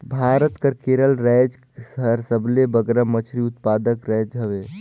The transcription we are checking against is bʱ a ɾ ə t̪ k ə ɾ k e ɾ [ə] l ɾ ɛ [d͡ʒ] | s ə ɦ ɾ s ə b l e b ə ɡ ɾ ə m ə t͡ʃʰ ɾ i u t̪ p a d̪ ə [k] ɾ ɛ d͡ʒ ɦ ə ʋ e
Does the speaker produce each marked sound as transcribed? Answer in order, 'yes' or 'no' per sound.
yes, yes, yes

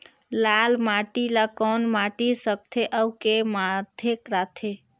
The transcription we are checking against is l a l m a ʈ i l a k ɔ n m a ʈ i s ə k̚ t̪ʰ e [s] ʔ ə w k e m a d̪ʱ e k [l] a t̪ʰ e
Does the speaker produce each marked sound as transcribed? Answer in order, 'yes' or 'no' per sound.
no, no

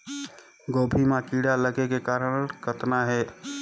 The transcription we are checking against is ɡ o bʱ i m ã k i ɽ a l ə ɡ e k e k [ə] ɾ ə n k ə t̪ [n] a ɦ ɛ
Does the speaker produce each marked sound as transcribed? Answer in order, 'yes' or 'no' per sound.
no, yes

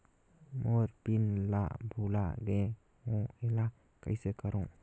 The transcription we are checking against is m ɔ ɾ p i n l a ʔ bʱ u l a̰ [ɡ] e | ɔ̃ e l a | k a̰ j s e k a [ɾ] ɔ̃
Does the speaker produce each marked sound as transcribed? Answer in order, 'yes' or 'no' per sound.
yes, yes

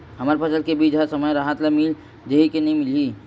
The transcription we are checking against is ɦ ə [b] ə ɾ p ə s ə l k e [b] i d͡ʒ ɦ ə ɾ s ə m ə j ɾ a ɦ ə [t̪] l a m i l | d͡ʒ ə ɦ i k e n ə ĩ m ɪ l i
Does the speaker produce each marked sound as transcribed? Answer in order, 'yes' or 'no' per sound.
no, yes, yes

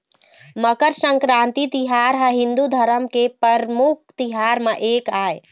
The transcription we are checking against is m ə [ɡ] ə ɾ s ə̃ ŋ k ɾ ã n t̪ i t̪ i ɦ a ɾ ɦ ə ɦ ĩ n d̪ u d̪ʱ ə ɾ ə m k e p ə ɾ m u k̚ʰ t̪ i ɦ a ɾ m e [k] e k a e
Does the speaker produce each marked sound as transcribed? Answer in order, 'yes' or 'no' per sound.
no, no

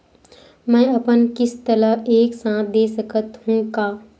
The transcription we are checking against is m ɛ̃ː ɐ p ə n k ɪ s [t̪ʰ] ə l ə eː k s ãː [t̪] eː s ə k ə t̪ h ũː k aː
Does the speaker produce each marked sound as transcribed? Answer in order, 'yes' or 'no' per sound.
no, no

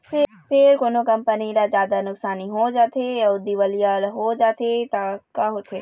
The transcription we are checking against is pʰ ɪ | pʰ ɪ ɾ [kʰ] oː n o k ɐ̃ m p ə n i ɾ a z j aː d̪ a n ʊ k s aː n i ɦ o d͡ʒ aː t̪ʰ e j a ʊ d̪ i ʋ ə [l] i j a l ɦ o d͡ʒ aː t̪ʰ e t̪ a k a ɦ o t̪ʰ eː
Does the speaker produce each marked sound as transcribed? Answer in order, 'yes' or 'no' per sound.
no, yes

